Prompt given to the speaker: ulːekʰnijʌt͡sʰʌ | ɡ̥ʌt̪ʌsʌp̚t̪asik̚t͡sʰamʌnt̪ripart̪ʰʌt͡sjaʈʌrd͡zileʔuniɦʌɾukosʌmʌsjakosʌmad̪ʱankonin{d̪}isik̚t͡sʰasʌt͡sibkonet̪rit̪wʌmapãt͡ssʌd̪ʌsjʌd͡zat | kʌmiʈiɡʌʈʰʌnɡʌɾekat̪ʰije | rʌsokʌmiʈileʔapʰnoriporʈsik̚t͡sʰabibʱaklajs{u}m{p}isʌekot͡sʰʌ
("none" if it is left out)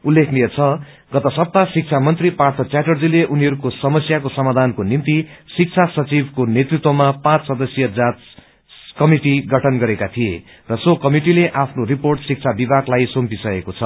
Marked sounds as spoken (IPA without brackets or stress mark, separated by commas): t̪, o, p